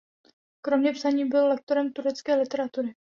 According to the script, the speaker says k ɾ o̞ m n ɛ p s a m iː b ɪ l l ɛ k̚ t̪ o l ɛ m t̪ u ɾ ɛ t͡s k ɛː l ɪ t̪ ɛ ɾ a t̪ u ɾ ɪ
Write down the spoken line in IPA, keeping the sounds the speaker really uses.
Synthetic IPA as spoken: k ɾ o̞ m ɲ ɛ p s a ɲ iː b ɪ l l ɛ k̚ t̪ o ɾ ɛ m t̪ u ɾ ɛ t͡s k ɛː l ɪ t̪ ɛ ɾ a t̪ u ɾ ɪ